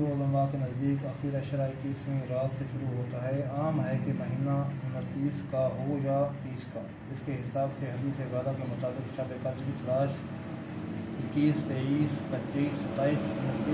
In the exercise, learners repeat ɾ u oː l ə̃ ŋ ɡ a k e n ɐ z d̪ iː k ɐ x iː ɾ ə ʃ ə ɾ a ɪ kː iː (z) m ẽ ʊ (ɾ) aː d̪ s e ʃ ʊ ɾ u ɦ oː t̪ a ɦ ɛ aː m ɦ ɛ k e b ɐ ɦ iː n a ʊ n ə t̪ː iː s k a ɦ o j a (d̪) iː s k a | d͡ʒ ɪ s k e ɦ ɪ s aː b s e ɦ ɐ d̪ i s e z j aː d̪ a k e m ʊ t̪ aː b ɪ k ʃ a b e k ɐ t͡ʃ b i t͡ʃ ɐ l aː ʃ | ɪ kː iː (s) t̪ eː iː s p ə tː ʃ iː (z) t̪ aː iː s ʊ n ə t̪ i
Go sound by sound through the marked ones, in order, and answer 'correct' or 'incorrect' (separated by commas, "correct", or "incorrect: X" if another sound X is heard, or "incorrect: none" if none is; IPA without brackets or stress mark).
incorrect: s, correct, incorrect: t̪, correct, incorrect: s